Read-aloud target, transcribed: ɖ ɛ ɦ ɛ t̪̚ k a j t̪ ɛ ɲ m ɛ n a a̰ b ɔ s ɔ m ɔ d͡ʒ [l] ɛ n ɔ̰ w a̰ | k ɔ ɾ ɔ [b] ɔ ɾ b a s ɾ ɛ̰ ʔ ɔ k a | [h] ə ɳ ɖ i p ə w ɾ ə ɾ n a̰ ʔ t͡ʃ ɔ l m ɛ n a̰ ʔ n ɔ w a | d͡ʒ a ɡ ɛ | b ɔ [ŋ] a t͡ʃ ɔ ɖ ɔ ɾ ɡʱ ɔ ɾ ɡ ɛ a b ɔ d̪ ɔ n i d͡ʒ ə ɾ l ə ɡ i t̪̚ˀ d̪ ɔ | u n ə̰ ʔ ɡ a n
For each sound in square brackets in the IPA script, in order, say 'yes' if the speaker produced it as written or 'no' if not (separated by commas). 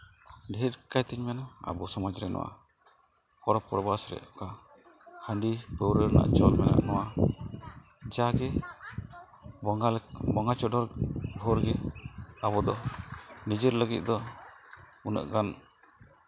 no, no, yes, yes